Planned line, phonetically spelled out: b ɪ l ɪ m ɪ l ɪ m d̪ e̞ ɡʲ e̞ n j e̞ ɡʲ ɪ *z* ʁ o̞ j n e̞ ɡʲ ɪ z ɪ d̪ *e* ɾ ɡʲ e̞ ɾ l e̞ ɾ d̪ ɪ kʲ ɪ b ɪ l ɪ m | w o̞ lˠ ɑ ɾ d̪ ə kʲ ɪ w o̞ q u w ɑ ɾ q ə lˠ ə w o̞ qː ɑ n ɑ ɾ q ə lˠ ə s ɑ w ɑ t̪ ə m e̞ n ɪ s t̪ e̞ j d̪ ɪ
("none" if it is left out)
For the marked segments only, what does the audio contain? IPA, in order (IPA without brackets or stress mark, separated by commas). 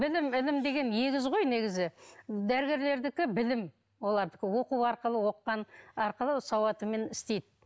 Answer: z, æ